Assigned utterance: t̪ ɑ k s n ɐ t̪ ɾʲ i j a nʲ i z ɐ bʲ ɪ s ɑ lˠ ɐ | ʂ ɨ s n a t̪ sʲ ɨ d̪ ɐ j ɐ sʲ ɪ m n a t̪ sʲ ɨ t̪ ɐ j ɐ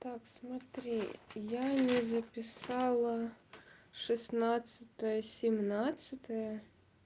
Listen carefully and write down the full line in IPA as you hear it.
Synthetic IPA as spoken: t̪ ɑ k s m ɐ t̪ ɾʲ i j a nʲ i z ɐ pʲ ɪ s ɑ lˠ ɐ | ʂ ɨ s n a t̪ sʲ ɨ t̪ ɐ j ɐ sʲ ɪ m n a t̪ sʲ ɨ t̪ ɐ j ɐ